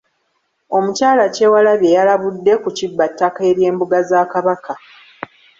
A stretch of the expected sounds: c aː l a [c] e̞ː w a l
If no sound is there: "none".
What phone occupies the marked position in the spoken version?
c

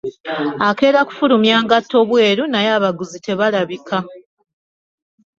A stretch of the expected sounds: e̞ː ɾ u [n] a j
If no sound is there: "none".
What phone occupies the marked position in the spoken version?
n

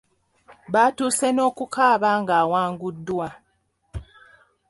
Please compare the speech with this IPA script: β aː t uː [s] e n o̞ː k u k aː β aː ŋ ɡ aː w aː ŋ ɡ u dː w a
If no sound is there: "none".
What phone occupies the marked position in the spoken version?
s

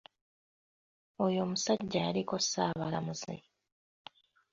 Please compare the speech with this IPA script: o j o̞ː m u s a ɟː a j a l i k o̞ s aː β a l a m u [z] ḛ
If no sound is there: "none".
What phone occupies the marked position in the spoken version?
z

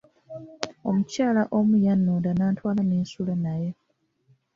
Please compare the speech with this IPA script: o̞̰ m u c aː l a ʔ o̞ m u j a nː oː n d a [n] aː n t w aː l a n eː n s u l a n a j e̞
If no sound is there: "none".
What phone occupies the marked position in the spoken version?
n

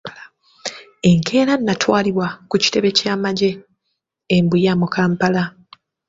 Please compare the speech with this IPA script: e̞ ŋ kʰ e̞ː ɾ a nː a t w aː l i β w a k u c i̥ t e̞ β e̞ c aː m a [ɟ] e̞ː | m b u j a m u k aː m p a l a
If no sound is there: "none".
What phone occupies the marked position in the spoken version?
ɟ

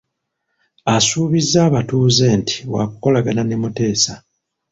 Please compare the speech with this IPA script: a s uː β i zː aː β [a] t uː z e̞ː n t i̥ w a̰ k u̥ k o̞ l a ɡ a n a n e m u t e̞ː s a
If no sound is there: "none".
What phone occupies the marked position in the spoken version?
a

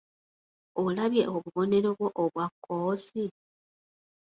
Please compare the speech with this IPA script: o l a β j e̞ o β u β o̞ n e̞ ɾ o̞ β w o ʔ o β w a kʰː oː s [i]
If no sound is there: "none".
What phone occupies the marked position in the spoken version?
i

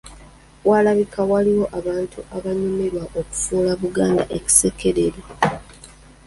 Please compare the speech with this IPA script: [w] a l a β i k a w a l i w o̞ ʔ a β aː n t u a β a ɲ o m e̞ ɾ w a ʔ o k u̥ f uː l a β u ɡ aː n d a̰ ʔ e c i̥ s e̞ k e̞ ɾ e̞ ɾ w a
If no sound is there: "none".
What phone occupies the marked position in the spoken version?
w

